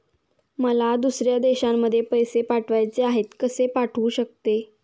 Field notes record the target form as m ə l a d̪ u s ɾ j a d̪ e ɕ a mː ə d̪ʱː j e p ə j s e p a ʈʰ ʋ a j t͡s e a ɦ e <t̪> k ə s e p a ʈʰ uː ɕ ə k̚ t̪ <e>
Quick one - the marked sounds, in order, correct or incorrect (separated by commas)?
correct, correct